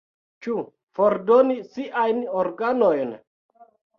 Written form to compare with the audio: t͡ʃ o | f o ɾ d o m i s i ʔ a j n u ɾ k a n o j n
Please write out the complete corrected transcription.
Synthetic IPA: t͡ʃ u | f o ɾ d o n i s i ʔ a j n o ɾ ɡ a n o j n